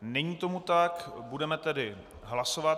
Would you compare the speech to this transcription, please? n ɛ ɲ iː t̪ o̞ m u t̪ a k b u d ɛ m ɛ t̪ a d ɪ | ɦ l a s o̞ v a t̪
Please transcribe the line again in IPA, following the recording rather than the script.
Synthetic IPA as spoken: n ɛ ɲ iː t̪ o̞ m u t̪ a k b u d ɛ m ɛ t̪ ɛ d ɪ | ɦ l a s o̞ v a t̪